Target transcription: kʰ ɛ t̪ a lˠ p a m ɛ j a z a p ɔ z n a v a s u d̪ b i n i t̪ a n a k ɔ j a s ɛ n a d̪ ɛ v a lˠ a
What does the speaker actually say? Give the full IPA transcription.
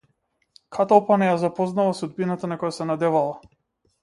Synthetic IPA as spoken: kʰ a t̪ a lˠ p a n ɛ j a z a p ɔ z n a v a s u d̪ b i n a t̪ a n a k ɔ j a s ɛ n a d̪ ɛ v a lˠ a